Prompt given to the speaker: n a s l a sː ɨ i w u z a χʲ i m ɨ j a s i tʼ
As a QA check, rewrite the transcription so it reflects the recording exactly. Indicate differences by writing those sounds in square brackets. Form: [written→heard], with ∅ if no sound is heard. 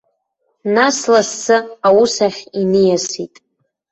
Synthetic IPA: n a s l a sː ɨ [i→a] w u [z→s] a χʲ i [m→n] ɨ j a s i tʼ